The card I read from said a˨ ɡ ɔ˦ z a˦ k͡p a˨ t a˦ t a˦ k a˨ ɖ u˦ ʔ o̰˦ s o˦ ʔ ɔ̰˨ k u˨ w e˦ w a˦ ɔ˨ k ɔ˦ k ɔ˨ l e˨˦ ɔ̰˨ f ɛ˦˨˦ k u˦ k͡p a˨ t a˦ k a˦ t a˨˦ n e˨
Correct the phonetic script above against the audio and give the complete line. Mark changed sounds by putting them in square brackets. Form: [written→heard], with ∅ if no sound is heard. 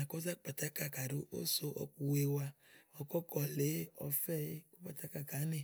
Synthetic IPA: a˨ [ɡ→k] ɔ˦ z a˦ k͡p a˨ t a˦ [t→k] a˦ k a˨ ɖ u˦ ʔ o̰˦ s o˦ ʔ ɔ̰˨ k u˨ w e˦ w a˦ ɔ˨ k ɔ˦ k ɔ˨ l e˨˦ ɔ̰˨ f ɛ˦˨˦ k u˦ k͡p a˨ t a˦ k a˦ [t→k] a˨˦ n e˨